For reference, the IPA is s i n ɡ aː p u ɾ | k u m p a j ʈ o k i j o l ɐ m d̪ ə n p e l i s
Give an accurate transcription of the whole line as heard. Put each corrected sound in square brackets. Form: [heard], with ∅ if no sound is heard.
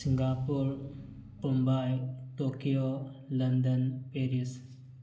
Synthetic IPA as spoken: s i [ŋ] ɡ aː p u ɾ | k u m [b] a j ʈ o k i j o l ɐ [n] d̪ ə n p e [ɾ] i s